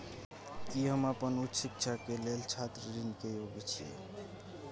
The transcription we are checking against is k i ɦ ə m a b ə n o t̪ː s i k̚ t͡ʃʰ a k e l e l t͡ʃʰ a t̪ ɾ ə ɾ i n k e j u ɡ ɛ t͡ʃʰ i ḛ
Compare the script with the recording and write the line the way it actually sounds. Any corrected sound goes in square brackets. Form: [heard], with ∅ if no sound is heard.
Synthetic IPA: k i ɦ ə m a [p] ə n [u] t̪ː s i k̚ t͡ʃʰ a k e l e l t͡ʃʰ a t̪ ɾ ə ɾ i n k e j [o] ɡ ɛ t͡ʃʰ i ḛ